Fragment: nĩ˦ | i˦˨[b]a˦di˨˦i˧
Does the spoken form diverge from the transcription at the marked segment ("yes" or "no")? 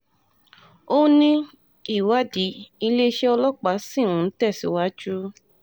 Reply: yes